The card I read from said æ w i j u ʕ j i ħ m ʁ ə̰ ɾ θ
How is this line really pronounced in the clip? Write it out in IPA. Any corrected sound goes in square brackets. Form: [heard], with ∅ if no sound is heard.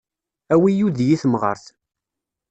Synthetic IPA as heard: æ w i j u [ð] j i [θ] m ʁ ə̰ ɾ θ